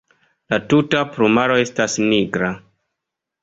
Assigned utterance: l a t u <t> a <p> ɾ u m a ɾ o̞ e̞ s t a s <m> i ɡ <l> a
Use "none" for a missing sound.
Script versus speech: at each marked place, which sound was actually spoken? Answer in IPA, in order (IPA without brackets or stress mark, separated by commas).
t, p, n, ɾ